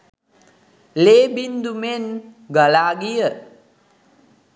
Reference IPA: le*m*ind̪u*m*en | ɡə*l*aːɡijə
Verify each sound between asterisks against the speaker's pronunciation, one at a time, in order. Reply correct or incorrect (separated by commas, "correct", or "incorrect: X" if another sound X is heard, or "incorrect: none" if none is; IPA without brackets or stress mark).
incorrect: b, correct, correct